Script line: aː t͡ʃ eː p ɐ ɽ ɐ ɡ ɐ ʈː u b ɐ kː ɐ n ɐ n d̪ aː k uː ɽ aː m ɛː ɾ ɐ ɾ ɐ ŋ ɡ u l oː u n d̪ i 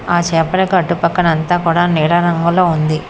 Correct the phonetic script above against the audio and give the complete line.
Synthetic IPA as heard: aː t͡ʃ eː p ɐ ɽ ɐ k ɐ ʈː u p ɐ kː ɐ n ɐ n t̪ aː k uː ɽ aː n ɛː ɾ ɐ ɾ ɐ ŋ ɡ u l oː u n d̪ i